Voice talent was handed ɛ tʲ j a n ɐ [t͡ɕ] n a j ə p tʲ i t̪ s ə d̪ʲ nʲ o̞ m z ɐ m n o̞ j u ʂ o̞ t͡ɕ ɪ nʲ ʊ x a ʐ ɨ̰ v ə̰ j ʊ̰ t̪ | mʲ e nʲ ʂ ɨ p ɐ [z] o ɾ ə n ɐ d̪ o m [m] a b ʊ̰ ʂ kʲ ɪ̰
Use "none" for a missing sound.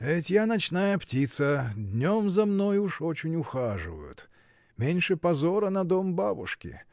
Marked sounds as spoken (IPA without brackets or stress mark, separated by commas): t͡ɕ, z, b